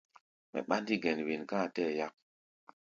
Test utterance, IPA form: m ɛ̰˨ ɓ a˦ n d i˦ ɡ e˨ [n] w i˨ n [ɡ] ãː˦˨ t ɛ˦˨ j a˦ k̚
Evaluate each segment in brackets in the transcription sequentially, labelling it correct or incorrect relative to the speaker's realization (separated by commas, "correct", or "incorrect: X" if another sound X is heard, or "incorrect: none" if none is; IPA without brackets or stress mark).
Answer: correct, incorrect: k